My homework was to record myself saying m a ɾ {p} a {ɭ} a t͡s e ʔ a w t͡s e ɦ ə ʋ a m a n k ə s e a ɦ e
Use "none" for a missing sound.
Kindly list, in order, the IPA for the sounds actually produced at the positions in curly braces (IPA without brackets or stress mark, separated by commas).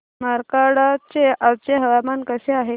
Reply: k, ɽ